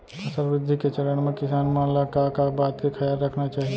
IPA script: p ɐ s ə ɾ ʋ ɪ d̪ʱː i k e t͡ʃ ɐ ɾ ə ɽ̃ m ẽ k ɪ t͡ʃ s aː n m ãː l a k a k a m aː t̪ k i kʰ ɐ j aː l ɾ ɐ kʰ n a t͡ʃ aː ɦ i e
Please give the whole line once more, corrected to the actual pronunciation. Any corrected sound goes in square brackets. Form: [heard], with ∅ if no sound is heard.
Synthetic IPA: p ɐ s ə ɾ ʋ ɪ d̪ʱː i k e t͡ʃ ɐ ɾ ə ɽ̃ m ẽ k ɪ [∅] s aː n m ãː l a k a k a [b] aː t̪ k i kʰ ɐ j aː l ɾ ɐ kʰ n a t͡ʃ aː ɦ i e